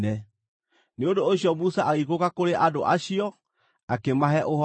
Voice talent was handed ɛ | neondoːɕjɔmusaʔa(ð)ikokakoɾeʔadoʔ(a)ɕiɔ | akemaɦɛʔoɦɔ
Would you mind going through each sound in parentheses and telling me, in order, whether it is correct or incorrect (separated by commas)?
incorrect, correct